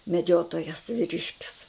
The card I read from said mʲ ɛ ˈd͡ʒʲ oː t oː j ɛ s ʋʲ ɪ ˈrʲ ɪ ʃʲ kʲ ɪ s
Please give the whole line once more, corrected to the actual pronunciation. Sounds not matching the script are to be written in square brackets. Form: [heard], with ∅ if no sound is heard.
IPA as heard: mʲ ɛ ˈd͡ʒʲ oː t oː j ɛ s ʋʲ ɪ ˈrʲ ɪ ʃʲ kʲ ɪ s

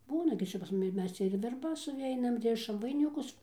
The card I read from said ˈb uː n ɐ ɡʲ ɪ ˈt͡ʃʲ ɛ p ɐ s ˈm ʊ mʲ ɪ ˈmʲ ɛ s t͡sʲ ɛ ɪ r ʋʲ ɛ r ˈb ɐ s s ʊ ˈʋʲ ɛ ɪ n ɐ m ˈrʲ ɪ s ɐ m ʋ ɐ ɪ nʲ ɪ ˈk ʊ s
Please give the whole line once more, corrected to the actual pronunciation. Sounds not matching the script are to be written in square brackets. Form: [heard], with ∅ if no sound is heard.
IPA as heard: ˈb uː n ɐ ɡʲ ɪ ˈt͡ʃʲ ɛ p ɐ s ˈm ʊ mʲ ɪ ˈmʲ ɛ s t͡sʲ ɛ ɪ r ʋʲ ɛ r ˈb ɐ s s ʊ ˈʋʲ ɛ ɪ n ɐ m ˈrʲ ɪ [ʃ] ɐ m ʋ ɐ ɪ nʲ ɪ ˈk ʊ s

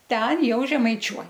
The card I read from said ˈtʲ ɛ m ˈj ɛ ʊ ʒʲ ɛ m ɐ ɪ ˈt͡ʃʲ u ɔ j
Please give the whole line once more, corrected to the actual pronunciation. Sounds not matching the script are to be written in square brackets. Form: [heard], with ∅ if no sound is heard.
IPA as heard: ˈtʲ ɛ [n] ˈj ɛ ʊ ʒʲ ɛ m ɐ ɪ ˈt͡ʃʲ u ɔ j

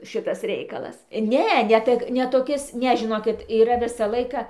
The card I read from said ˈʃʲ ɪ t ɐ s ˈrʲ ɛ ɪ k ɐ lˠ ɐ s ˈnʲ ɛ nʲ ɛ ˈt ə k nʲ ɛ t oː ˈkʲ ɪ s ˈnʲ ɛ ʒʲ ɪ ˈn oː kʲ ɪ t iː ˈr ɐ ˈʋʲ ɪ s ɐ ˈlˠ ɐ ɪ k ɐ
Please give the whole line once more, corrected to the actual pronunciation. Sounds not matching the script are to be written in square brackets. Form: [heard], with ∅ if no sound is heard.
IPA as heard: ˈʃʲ ɪ t ɐ s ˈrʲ ɛ ɪ k ɐ lˠ ɐ s ˈnʲ ɛ nʲ ɛ ˈt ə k nʲ ɛ t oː ˈkʲ ɪ s ˈnʲ ɛ ʒʲ ɪ ˈn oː kʲ ɪ t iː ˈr ɐ ˈʋʲ ɪ s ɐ ˈlˠ ɐ ɪ k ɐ

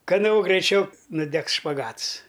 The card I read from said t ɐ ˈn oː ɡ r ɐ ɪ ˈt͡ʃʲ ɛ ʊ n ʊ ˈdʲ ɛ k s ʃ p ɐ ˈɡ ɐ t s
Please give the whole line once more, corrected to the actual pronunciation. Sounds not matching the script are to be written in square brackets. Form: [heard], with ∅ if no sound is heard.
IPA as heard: [k] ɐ ˈn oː ɡ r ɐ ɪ ˈt͡ʃʲ ɛ ʊ n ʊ ˈdʲ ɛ k s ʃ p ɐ ˈɡ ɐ t s

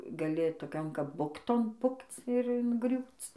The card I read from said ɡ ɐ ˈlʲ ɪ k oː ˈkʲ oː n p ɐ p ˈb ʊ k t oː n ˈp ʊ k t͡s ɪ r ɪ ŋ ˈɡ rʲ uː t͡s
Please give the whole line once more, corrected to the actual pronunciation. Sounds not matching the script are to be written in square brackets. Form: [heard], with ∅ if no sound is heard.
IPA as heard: ɡ ɐ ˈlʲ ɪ [t] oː ˈkʲ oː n [k] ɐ p ˈb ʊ k t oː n ˈp ʊ k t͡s ɪ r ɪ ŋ ˈɡ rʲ uː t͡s

